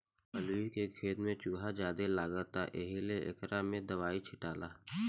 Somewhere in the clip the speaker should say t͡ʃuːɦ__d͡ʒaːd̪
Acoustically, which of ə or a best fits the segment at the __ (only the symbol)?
a